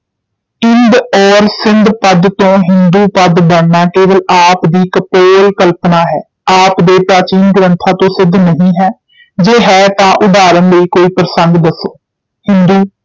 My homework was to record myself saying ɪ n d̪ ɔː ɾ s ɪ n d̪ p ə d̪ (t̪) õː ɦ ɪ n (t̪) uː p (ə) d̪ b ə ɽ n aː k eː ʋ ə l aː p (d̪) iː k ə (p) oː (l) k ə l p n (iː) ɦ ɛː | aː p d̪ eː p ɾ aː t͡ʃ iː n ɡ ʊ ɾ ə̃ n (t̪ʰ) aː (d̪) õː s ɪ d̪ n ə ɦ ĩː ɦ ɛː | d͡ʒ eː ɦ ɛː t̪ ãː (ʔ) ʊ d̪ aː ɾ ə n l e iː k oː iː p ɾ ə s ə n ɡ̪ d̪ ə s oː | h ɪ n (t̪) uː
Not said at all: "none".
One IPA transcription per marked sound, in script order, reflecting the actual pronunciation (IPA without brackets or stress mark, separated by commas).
t̪, d̪, ə, d̪, p, l, aː, t̪ʰ, t̪, ʔ, d̪